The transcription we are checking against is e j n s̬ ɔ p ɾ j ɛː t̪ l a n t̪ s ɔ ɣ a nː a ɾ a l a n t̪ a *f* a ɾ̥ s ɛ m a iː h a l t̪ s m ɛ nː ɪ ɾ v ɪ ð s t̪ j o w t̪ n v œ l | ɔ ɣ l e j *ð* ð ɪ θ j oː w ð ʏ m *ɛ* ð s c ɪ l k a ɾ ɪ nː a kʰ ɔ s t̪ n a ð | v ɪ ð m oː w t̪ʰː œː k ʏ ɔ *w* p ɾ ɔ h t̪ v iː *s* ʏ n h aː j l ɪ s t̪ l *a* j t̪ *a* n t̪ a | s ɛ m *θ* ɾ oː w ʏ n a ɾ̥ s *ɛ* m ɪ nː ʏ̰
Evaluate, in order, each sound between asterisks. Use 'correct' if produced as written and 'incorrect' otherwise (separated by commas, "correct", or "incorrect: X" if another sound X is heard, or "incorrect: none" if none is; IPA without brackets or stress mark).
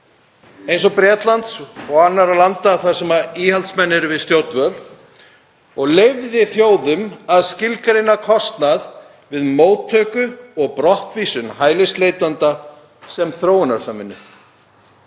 incorrect: θ, incorrect: v, incorrect: a, incorrect: ɣ, correct, incorrect: e, correct, correct, incorrect: a